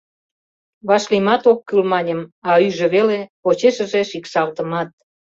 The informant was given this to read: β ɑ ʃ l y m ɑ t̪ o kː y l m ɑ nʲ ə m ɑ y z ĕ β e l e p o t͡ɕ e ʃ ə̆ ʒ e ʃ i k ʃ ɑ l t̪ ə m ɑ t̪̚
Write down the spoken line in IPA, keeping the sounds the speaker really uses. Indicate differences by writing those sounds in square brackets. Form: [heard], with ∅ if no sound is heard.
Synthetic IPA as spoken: β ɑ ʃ l [i] m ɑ t̪ o kː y l m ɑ nʲ ə m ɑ y [ʒ] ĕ β e l e p o t͡ɕ e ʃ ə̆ ʒ e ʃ i k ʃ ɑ l t̪ ə m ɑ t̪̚